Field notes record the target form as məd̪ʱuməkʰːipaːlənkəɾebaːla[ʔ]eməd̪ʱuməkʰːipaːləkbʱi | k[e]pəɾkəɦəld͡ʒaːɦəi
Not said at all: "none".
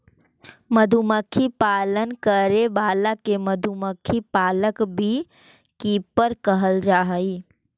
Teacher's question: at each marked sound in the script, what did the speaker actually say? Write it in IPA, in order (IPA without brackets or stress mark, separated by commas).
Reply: k, i